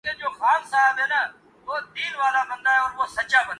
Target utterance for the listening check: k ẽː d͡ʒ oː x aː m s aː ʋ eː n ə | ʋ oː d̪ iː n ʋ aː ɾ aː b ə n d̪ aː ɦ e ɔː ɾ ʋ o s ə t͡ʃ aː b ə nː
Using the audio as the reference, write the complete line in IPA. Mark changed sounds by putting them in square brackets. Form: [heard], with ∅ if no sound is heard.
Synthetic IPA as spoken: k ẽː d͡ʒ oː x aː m s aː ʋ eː n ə | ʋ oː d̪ iː n ʋ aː [l] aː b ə n d̪ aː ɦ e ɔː ɾ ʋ o s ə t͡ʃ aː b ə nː